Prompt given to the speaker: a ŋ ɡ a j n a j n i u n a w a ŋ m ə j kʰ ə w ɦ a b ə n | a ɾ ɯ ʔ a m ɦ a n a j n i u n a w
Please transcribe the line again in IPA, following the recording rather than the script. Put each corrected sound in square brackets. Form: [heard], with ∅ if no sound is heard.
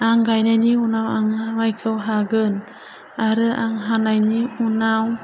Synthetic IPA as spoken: a ŋ ɡ a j n a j n i u n a w a ŋ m [a] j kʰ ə w ɦ a [ɡ] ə n | a ɾ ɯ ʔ a [ŋ] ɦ a n a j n i u n a w